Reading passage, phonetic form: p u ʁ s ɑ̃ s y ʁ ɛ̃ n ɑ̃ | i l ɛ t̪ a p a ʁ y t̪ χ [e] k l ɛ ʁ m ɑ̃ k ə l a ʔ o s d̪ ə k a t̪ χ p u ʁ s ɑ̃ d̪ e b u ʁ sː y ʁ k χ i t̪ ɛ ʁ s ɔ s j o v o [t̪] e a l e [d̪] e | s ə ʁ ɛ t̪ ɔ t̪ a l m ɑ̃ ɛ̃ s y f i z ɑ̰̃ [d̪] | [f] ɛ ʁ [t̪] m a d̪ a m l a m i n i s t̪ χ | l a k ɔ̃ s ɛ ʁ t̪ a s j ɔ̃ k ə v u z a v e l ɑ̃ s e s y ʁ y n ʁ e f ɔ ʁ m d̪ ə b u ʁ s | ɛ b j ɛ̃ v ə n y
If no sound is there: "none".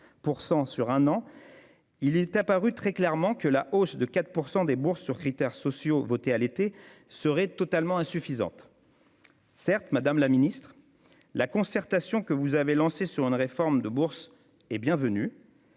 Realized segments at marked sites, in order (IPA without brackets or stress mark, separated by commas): ɛ, t̪, t̪, t̪, s, t̪